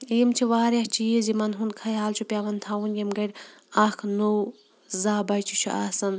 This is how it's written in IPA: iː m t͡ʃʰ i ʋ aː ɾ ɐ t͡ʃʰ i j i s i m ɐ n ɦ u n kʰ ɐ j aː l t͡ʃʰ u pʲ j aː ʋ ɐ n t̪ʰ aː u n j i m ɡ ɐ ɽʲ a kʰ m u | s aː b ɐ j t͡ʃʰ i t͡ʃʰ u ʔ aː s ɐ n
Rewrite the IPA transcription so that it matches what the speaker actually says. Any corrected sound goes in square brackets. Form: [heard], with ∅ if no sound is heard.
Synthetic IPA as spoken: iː m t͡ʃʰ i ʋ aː ɾ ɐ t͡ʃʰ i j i [z] i m ɐ n ɦ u n kʰ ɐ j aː l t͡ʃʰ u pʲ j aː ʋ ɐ n t̪ʰ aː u n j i m ɡ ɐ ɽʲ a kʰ [n] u | [z] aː b ɐ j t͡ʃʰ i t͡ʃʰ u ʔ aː s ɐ n